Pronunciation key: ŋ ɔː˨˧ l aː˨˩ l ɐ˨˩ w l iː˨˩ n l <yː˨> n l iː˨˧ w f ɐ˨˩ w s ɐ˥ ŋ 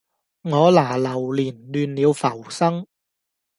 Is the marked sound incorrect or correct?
correct